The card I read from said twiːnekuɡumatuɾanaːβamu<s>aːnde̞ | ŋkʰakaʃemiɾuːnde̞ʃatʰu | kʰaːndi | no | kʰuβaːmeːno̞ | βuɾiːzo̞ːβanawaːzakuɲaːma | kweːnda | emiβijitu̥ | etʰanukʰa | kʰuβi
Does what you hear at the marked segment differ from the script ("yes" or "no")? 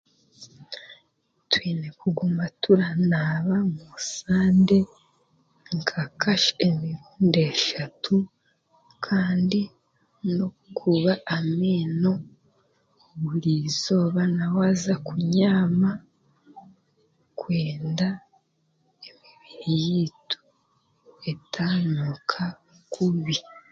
no